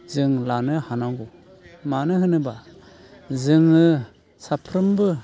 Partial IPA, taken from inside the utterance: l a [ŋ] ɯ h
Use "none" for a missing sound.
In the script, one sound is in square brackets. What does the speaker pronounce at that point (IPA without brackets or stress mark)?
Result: n